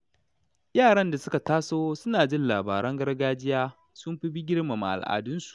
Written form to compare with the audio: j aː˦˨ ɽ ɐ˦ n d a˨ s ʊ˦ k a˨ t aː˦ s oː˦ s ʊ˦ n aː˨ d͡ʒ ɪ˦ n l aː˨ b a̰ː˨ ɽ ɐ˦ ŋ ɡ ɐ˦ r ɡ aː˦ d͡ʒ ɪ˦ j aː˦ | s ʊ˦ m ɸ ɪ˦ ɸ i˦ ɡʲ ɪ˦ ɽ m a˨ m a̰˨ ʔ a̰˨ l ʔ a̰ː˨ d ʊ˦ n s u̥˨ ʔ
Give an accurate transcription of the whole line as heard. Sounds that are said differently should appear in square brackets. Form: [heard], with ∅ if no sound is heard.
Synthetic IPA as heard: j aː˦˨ ɽ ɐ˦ n d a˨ s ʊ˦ k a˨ t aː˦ s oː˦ s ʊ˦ n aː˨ d͡ʒ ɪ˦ n l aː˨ b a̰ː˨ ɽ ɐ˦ ŋ ɡ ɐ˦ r ɡ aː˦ d͡ʒ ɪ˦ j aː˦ | s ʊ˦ m ɸ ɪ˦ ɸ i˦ ɡʲ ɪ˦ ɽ m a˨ m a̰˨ ʔ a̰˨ l ʔ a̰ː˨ d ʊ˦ n s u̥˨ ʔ